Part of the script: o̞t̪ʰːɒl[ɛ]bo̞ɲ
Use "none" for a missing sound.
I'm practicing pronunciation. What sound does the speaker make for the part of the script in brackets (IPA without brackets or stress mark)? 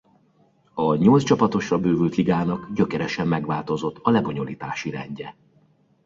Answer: ɛ